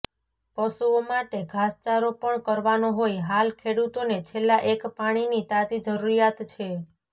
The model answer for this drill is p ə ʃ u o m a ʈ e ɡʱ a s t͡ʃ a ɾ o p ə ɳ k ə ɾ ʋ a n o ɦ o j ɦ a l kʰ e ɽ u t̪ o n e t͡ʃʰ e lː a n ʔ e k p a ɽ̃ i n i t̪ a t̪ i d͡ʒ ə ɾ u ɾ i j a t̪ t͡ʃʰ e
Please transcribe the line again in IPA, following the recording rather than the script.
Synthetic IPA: p ə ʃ u o m a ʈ e ɡʱ a s t͡ʃ a ɾ o p ə ɳ k ə ɾ ʋ a n o ɦ o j ɦ a l kʰ e ɽ u t̪ o n e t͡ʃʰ e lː a ʔ e k p a ɽ̃ i n i t̪ a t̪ i d͡ʒ ə ɾ u ɾ i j a t̪ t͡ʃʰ e